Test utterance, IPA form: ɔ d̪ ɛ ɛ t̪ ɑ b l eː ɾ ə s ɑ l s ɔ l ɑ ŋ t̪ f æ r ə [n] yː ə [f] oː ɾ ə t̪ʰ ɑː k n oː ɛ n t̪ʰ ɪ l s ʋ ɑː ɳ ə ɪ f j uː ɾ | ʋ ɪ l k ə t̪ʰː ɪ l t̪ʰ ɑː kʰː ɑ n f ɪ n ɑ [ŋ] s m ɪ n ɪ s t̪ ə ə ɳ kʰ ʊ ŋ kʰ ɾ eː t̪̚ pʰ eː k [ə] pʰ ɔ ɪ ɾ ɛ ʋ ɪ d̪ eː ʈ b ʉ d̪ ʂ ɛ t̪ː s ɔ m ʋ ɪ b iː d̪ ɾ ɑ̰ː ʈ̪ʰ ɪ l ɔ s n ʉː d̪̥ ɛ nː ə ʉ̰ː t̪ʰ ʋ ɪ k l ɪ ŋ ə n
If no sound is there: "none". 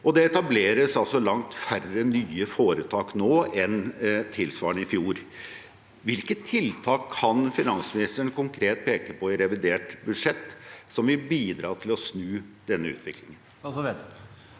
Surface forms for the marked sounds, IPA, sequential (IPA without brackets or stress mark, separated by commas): n, f, n, ə